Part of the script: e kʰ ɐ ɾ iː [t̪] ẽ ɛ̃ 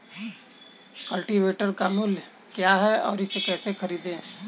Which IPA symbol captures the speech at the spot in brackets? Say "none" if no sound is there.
d̪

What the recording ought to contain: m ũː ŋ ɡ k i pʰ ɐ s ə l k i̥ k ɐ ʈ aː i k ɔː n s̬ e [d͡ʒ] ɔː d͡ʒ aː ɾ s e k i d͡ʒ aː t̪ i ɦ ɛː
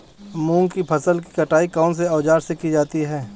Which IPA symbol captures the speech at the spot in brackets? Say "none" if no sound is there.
none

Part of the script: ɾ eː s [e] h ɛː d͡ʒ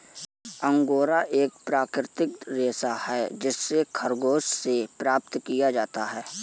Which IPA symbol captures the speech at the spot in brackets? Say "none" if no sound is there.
a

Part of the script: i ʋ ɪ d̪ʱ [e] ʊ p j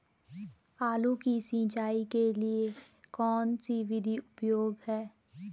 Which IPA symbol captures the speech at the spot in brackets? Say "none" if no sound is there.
i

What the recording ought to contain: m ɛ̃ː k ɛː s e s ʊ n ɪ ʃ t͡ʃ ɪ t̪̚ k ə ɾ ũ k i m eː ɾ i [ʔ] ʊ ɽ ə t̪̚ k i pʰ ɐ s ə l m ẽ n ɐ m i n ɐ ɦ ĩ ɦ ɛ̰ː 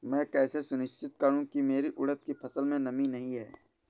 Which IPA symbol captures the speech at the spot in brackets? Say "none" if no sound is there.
ʔ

